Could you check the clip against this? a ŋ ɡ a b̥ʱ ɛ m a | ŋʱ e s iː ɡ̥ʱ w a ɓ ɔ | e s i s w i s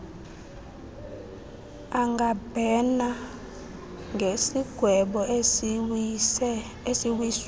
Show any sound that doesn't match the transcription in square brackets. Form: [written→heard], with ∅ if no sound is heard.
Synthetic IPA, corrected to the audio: a ŋ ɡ a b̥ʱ ɛ [m→n] a | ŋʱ e s [iː→i] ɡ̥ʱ w [a→ɛ] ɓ ɔ | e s i [s→∅] w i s